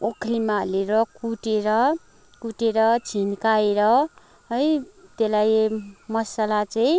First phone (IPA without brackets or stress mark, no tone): o